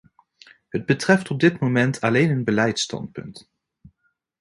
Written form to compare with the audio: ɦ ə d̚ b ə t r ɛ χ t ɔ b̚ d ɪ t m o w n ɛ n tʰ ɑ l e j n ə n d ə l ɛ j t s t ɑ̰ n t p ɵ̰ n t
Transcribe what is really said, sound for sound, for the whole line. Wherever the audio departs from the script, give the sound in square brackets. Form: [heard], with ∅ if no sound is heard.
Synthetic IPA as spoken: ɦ ə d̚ b ə t r ɛ [f] t ɔ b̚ d ɪ t m o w [m] ɛ n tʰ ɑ l e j n ə n [b] ə l ɛ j t s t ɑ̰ n t p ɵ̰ n t